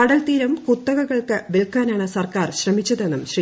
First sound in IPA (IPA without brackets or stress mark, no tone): ɐ